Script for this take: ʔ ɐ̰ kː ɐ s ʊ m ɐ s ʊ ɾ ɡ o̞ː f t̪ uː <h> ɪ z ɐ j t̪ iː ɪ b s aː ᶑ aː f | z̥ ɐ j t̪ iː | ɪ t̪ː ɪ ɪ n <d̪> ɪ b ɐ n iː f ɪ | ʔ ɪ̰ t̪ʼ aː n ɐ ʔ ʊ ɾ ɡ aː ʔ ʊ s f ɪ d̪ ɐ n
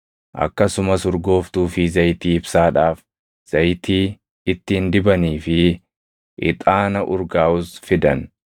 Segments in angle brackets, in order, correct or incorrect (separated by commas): incorrect, correct